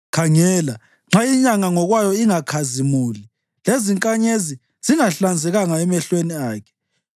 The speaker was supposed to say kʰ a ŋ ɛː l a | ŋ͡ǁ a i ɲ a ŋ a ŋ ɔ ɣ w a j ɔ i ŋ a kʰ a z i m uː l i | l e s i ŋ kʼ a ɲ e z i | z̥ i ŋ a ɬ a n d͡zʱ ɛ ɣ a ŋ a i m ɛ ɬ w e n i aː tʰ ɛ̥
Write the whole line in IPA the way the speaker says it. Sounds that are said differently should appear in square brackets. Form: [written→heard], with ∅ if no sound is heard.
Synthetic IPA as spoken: kʰ a ŋ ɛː l a | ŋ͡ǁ a i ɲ a ŋ a ŋ ɔ ɣ w a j ɔ i ŋ a kʰ a z i m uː l i | l e [s→z] i ŋ kʼ a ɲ e z i | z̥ i ŋ a ɬ a n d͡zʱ ɛ ɣ a ŋ a [i→ɛ] m ɛ ɬ w e n i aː [tʰ→kʰ] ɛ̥